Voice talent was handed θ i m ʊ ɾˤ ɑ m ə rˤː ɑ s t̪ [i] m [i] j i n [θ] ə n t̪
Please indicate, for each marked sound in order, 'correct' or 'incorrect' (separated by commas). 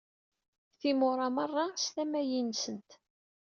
incorrect, incorrect, incorrect